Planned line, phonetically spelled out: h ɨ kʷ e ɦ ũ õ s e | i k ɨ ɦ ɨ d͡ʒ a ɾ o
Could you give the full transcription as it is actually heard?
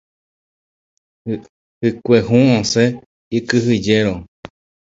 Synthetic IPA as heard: h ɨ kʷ e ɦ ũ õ s e | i k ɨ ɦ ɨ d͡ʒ e ɾ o